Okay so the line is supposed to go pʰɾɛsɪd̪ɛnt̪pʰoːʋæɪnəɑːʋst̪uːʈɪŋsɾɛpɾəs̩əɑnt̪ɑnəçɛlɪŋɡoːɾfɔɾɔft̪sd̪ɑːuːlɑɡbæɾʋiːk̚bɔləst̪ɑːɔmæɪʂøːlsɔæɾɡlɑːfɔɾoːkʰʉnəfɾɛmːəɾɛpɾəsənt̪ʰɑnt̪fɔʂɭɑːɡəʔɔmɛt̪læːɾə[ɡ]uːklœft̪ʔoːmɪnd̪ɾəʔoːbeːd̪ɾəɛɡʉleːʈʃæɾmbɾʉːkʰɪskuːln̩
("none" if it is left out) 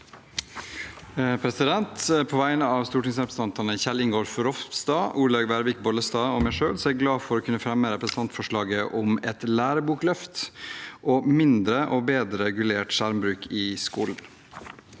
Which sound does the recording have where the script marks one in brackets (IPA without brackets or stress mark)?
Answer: b